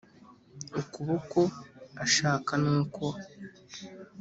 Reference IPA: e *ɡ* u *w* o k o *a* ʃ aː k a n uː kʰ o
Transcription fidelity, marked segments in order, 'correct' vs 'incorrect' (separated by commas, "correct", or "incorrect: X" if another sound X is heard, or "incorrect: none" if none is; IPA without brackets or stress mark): incorrect: k, incorrect: β, correct